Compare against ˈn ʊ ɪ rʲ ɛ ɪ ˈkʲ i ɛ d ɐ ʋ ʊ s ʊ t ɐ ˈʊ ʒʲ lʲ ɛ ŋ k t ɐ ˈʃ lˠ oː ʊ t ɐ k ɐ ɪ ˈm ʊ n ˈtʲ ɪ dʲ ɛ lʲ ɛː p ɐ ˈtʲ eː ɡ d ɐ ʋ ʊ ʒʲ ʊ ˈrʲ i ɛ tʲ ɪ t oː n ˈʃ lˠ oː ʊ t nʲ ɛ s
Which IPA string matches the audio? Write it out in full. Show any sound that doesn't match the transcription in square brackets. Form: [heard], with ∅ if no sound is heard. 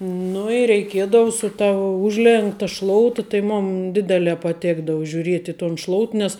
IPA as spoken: ˈn ʊ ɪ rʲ ɛ ɪ ˈkʲ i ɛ d ɐ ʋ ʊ s ʊ t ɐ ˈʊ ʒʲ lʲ ɛ ŋ k t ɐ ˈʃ lˠ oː ʊ t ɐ [t] ɐ ɪ ˈm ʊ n [ˈdʲ] ɪ dʲ ɛ lʲ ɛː p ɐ ˈtʲ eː ɡ d ɐ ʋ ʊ ʒʲ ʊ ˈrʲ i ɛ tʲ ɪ t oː n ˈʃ lˠ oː ʊ t nʲ ɛ s

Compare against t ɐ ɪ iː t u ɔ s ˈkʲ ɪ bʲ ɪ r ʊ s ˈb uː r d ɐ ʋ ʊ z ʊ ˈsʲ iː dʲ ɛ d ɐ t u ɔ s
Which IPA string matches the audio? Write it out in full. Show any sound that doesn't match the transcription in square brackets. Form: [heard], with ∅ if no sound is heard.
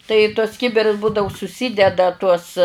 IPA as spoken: t ɐ ɪ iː t u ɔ s ˈkʲ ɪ bʲ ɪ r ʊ s ˈb uː [∅] d ɐ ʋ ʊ [s] ʊ ˈsʲ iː dʲ ɛ d ɐ t u ɔ s

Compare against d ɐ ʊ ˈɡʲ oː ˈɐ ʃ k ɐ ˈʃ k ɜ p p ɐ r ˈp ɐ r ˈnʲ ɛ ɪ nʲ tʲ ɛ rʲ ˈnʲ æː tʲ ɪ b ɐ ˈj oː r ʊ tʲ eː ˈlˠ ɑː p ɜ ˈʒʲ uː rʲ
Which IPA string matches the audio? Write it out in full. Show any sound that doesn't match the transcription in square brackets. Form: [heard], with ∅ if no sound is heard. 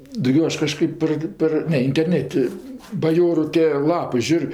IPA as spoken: d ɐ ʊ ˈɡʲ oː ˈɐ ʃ k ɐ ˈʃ k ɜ p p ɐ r ˈp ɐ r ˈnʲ ɛ ɪ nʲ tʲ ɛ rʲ ˈnʲ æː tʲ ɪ b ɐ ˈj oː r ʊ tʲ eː ˈlˠ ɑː p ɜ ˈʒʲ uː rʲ

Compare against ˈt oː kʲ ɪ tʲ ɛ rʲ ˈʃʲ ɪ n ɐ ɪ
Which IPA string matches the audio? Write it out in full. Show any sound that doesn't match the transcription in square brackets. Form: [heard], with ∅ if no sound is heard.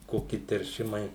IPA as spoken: [ˈk] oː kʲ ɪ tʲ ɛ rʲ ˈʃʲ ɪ [m] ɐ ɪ

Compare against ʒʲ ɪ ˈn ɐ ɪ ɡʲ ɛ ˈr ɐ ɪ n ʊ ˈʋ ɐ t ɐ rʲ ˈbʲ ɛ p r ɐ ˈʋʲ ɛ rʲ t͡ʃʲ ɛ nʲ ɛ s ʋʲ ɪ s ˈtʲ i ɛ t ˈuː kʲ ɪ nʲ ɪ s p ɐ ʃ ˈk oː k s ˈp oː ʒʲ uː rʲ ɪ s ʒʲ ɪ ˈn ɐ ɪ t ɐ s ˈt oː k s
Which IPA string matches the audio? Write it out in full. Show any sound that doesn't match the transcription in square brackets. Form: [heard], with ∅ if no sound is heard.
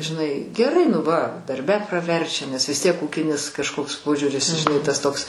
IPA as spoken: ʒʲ ɪ ˈn ɐ ɪ ɡʲ ɛ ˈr ɐ ɪ n ʊ ˈʋ ɐ [d] ɐ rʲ ˈbʲ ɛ p r ɐ ˈʋʲ ɛ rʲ t͡ʃʲ ɛ nʲ ɛ s ʋʲ ɪ s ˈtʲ i ɛ [k] ˈuː kʲ ɪ nʲ ɪ s [k] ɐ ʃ ˈk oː k s ˈp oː ʒʲ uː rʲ ɪ s ʒʲ ɪ ˈn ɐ ɪ t ɐ s ˈt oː k s

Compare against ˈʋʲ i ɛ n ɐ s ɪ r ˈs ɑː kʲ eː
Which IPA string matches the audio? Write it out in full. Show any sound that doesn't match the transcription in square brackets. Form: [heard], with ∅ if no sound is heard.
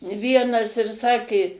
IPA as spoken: ˈʋʲ i ɛ n ɐ s ɪ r ˈs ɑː kʲ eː

